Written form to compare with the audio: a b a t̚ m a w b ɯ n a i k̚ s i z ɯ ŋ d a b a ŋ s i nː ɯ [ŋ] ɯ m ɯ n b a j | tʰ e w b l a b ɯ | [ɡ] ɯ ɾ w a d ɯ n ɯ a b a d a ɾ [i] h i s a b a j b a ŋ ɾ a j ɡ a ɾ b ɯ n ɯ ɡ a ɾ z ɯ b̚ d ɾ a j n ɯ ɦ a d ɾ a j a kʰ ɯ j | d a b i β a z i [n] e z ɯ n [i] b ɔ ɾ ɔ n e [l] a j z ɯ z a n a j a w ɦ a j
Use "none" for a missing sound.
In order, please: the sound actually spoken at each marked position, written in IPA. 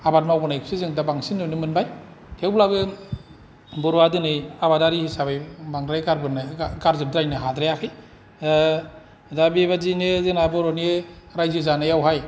n, b, i, n, a, ɾ

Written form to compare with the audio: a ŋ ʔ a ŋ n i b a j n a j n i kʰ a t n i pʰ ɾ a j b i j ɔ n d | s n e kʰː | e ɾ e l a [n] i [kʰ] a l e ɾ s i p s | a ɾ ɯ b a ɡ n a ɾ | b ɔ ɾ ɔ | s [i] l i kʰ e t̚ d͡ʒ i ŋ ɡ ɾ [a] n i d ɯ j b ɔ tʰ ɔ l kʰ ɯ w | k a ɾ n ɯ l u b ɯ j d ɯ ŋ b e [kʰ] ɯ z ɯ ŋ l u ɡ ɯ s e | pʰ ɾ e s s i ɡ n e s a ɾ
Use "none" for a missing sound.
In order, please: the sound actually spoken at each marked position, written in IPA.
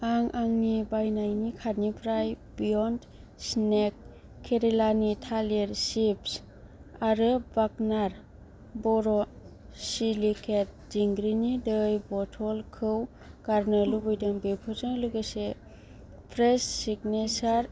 n, tʰ, i, i, pʰ

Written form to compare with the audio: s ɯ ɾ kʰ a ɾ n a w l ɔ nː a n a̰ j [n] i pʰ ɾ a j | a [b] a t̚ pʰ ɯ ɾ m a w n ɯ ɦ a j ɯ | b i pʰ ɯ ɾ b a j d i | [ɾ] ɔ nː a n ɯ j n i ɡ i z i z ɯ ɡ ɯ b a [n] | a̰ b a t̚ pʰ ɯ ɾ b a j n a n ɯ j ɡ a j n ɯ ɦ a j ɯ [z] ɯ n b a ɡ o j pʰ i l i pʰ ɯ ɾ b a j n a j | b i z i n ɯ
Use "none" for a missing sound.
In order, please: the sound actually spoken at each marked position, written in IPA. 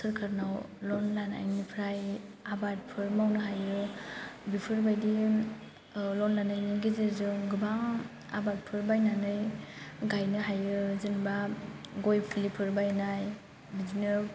n, b, l, ŋ, z

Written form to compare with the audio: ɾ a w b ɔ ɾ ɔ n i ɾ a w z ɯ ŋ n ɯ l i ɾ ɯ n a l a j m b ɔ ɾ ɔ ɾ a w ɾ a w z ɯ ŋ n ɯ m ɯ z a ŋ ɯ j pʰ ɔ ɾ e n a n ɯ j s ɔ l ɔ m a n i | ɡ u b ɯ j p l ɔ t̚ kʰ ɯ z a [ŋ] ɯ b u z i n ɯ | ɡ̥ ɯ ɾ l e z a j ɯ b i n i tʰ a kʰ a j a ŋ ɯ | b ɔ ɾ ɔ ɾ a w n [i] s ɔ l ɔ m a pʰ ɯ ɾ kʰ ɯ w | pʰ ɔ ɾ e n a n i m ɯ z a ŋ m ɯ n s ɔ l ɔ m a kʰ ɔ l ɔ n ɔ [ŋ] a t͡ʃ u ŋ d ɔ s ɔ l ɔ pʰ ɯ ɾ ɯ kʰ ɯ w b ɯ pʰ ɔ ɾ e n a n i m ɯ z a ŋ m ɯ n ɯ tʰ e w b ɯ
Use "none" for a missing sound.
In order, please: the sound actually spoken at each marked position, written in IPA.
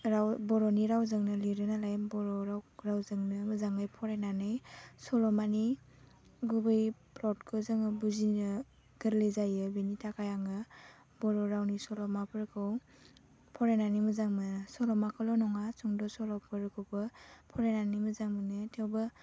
ŋ, i, ŋ

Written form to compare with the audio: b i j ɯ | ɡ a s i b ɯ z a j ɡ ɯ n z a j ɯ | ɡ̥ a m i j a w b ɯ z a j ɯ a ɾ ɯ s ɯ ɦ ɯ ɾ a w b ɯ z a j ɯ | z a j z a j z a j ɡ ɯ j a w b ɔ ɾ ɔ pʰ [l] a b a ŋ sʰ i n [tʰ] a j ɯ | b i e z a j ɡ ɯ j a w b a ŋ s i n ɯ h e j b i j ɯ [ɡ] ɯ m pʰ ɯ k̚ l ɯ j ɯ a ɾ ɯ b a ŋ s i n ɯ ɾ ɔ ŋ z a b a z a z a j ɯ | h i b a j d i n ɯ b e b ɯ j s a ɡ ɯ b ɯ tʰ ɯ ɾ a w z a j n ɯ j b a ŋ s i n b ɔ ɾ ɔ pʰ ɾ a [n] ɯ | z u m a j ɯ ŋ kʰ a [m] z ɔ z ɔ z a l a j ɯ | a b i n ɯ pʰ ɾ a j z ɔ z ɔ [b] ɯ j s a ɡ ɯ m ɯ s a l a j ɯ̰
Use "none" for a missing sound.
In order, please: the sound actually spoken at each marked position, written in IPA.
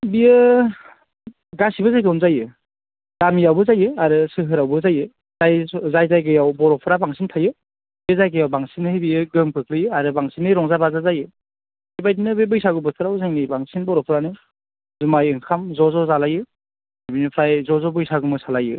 ɾ, tʰ, ɡ, n, m, b

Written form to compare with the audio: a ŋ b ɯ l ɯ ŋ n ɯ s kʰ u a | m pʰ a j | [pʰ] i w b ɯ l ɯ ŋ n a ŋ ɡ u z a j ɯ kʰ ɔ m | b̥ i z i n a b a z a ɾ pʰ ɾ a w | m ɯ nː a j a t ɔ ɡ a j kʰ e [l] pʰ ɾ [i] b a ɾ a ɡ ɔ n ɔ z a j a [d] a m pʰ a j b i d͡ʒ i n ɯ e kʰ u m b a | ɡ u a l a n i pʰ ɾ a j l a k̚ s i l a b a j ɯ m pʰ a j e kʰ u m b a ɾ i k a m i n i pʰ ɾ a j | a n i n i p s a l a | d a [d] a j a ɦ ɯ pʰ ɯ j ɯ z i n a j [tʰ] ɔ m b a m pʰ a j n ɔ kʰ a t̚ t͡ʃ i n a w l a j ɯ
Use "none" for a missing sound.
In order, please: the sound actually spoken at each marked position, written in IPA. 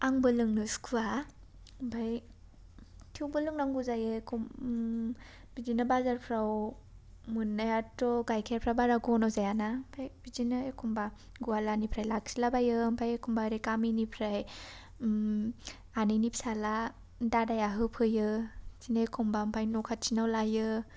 tʰ, ɾ, a, n, d, kʰ

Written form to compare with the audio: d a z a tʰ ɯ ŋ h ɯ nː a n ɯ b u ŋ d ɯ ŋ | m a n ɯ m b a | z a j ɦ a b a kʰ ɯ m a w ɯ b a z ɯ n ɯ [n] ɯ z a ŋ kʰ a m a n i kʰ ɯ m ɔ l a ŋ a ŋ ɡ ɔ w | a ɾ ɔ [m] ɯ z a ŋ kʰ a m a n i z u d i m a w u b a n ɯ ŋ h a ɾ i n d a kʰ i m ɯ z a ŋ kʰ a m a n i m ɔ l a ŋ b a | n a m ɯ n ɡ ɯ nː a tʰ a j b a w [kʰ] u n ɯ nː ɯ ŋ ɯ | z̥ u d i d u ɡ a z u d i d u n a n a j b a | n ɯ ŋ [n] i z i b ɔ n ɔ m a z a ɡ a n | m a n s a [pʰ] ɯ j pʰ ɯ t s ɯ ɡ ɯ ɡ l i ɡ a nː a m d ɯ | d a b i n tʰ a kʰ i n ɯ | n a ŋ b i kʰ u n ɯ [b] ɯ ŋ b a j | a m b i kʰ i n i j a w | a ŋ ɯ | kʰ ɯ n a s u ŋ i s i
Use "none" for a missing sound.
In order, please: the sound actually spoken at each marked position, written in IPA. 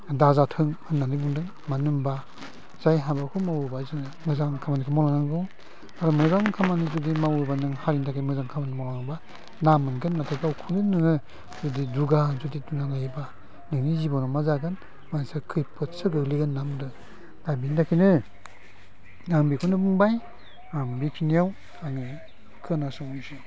m, m, kʰ, n, kʰ, b

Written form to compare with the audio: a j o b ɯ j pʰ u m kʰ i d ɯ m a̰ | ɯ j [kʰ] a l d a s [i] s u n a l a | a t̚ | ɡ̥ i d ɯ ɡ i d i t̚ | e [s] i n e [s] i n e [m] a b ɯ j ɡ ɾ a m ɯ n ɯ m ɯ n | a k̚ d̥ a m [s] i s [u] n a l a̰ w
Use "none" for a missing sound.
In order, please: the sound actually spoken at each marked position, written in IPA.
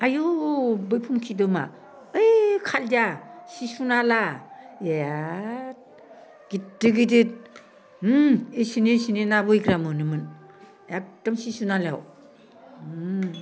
kʰ, i, s, s, n, s, u

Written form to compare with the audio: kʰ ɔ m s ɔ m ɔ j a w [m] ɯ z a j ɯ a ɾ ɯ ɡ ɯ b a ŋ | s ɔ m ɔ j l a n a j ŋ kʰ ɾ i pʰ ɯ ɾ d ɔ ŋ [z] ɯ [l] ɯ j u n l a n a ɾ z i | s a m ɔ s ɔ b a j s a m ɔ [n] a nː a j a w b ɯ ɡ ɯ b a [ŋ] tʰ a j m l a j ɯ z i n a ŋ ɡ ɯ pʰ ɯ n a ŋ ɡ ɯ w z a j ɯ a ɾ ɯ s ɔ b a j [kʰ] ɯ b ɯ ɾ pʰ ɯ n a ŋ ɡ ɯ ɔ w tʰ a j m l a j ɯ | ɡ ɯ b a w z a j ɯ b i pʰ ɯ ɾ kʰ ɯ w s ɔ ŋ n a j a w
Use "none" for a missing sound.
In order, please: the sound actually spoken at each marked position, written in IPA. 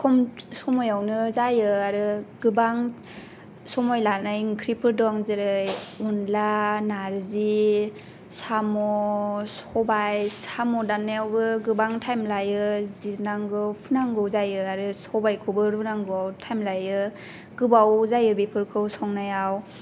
n, z, ɾ, d, ŋ, kʰ

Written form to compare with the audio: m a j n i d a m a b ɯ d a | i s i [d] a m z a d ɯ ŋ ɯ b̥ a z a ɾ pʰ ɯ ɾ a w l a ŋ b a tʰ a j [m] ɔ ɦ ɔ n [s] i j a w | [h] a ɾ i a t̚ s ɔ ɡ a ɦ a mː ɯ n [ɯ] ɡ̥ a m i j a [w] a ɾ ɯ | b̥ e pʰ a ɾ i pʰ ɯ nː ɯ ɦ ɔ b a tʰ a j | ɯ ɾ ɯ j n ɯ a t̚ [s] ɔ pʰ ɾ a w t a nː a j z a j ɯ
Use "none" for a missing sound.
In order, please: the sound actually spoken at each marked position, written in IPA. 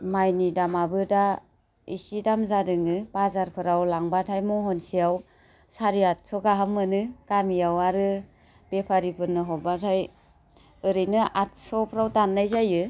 d, m, s, s, ɯ, w, s

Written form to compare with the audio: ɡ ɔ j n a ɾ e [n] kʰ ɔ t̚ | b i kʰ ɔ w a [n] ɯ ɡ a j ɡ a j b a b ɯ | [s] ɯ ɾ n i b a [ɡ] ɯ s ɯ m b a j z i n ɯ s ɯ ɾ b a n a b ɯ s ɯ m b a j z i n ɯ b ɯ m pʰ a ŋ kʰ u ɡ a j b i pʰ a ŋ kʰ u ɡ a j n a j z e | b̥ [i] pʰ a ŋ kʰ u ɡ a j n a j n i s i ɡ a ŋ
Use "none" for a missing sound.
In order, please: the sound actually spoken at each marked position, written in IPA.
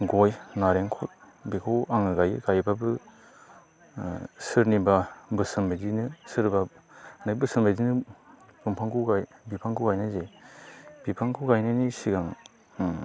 ŋ, ŋ, s, b, i

